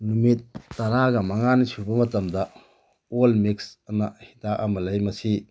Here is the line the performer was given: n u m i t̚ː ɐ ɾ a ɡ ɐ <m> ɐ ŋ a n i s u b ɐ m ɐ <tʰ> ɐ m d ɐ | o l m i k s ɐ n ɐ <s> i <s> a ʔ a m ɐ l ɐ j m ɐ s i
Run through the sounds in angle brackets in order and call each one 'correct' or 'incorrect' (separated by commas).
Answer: correct, incorrect, incorrect, incorrect